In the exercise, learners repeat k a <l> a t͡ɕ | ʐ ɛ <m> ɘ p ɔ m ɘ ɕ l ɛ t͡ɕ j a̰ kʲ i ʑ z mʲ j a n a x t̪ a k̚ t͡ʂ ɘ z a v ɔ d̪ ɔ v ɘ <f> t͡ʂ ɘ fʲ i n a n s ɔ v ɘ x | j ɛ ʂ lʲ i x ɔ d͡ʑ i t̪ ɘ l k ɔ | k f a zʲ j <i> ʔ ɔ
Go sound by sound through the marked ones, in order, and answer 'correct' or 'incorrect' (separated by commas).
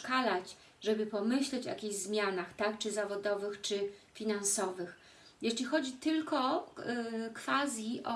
correct, incorrect, incorrect, correct